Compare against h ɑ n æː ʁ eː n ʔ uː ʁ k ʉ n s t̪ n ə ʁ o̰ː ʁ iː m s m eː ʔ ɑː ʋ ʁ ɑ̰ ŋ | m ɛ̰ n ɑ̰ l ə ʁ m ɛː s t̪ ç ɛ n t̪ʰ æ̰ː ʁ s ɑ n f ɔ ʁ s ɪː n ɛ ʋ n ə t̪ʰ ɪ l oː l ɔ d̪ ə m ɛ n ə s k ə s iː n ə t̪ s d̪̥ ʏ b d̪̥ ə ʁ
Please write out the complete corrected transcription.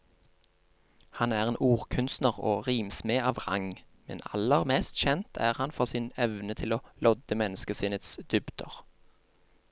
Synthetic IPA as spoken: h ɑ n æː ʁ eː n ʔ uː ʁ kʰ ʉ n s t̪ n ə ʁ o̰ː ʁ iː m s m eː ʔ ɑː ʋ ʁ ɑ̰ ŋ | m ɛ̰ n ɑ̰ l ə ʁ m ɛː s t̪ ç ɛ n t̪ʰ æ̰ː ʁ h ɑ n f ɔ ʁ s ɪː n ɛ ʋ n ə t̪ʰ ɪ l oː l ɔ d̪ ə m ɛ n ə s k ə s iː n ə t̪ s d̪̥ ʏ b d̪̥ ə ʁ